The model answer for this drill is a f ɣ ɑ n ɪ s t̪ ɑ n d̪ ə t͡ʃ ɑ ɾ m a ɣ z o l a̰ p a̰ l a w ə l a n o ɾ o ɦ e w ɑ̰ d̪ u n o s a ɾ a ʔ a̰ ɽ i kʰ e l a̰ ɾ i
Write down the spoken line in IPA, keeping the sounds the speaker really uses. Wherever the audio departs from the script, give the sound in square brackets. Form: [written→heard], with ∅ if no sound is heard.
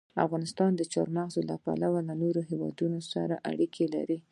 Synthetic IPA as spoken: a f ɣ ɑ n ɪ s t̪ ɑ n d̪ ə t͡ʃ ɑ ɾ m a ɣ z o l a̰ p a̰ l a w [ə→a] l a n o ɾ o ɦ e w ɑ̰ d̪ u n o s a ɾ a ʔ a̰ ɽ i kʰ e l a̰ ɾ i